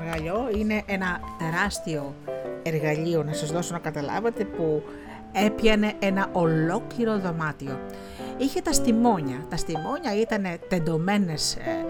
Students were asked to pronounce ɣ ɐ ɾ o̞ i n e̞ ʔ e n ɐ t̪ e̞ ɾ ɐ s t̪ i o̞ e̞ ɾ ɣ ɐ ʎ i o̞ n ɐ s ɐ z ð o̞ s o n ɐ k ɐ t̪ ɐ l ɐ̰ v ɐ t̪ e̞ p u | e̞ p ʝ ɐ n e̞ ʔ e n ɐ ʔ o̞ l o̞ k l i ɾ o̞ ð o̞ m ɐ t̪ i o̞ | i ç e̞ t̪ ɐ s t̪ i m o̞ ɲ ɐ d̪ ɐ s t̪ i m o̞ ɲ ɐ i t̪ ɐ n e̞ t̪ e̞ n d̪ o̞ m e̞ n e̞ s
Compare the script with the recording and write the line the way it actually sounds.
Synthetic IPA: ɣ ɐ ʎ o̞ i n e̞ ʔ e n ɐ t̪ e̞ ɾ ɐ s t̪ i o̞ e̞ ɾ ɣ ɐ ʎ i o̞ n ɐ s ɐ z ð o̞ s o n ɐ k ɐ t̪ ɐ l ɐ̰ v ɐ t̪ e̞ p u | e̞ p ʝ ɐ n e̞ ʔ e n ɐ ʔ o̞ l o̞ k l i ɾ o̞ ð o̞ m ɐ t̪ i o̞ | i ç e̞ t̪ ɐ s t̪ i m o̞ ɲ ɐ t̪ ɐ s t̪ i m o̞ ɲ ɐ i t̪ ɐ n e̞ t̪ e̞ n d̪ o̞ m e̞ n e̞ s